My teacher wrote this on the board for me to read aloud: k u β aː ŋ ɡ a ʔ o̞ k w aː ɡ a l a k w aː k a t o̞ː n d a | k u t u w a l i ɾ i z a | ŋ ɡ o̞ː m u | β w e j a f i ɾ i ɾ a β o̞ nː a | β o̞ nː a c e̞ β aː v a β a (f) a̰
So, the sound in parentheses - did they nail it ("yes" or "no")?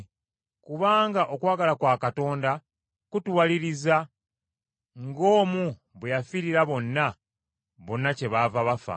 yes